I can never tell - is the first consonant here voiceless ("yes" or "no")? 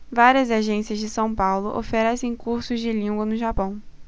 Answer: no